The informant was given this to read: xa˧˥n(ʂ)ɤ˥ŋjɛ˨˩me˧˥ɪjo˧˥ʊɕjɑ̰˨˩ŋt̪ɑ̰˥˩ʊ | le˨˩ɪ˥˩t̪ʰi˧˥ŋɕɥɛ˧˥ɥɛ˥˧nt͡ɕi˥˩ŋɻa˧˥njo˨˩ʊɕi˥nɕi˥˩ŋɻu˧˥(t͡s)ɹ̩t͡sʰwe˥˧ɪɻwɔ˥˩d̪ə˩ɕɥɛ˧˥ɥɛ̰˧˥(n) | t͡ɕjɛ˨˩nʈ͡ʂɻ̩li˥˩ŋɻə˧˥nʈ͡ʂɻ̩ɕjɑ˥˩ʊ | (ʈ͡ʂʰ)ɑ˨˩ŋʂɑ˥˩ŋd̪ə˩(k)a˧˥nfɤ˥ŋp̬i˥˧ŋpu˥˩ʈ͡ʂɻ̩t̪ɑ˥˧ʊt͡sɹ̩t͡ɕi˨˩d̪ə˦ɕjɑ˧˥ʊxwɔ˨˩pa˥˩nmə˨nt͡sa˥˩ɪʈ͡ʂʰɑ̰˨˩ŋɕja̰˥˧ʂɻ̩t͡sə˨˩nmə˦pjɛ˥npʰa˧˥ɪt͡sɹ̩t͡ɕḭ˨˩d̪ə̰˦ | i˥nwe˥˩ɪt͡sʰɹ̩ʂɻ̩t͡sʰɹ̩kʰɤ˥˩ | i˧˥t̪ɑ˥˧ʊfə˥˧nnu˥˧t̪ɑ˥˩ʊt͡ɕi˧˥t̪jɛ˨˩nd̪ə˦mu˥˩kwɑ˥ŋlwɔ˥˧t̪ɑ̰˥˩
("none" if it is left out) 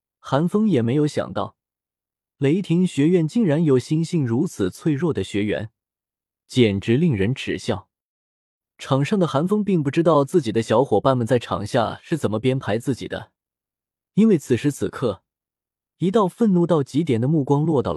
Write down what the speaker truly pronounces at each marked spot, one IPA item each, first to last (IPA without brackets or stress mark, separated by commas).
f, t͡sʰ, n, ʈ͡ʂʰ, x